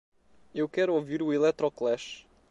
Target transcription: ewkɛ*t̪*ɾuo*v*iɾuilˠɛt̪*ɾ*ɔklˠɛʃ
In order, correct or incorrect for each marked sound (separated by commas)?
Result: incorrect, correct, correct